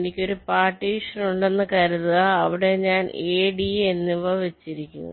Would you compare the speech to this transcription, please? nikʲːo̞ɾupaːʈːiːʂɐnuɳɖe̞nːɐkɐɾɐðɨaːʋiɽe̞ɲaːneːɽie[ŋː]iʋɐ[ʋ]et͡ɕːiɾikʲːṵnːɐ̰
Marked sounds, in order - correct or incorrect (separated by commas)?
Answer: incorrect, correct